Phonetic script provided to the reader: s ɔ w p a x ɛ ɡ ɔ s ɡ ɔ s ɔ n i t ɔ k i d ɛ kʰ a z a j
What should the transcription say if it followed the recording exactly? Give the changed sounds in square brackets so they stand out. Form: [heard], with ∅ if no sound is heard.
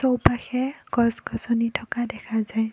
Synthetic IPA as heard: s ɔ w p a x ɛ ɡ ɔ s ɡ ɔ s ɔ n i [tʰ] ɔ k [a] d ɛ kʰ a z a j